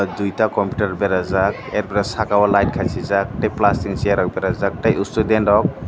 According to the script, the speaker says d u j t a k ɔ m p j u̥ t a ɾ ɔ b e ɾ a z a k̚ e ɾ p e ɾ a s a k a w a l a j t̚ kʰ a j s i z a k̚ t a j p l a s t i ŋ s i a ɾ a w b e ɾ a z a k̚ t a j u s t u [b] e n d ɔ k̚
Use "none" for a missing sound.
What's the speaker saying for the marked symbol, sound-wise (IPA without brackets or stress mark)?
d